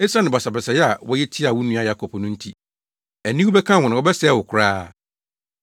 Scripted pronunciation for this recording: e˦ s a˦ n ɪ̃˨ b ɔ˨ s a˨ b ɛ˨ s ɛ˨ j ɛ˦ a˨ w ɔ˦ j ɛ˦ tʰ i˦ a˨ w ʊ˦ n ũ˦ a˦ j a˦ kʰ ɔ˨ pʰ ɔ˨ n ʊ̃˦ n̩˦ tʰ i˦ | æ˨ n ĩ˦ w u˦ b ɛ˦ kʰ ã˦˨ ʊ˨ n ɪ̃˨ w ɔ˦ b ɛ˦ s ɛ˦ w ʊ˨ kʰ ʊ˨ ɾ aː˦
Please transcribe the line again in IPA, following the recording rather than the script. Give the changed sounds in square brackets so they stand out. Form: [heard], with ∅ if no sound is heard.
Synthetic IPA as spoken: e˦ s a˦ n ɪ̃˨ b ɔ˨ s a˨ b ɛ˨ s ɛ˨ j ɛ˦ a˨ w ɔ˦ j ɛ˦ tʰ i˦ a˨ w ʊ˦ n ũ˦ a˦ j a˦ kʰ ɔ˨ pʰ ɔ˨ n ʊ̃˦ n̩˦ tʰ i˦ | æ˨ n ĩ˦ w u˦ b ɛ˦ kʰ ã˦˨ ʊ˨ n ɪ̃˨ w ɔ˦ b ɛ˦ s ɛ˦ w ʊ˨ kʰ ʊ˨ ɾ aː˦